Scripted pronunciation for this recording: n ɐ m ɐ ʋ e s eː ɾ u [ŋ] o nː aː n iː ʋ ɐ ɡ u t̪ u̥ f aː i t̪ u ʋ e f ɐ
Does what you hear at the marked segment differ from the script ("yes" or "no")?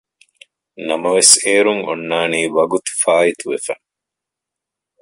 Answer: no